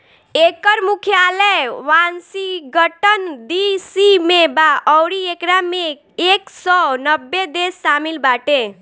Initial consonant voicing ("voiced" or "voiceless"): voiceless